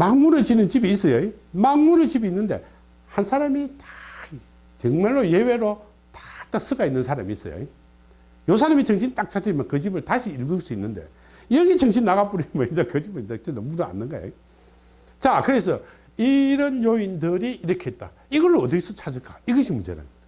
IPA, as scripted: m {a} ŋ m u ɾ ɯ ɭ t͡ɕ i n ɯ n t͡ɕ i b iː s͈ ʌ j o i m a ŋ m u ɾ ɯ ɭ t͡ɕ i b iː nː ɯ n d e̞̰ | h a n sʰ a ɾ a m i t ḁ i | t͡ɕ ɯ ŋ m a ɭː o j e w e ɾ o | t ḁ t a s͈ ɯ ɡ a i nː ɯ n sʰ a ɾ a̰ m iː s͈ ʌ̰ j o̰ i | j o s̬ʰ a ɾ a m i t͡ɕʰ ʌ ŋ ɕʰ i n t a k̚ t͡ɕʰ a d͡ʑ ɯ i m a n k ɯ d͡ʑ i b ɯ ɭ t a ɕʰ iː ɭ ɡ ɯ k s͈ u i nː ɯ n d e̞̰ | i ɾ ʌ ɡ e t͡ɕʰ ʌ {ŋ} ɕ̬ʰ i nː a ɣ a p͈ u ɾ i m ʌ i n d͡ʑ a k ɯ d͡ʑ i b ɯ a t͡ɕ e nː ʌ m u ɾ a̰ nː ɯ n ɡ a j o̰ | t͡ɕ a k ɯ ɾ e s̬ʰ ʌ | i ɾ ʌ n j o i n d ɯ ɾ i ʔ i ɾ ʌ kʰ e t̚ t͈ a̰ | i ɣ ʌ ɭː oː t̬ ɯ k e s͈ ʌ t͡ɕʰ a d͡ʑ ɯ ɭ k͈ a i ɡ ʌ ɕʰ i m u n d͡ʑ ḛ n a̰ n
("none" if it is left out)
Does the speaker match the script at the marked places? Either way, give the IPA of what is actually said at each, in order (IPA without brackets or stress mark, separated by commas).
a, ŋ